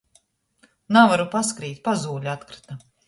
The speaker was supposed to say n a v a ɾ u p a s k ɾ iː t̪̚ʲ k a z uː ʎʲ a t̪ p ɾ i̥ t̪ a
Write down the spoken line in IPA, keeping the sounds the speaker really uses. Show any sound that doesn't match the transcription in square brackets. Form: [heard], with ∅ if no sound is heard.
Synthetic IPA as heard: n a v a ɾ u p a s k ɾ iː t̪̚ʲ [p] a z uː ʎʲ a t̪ [k] ɾ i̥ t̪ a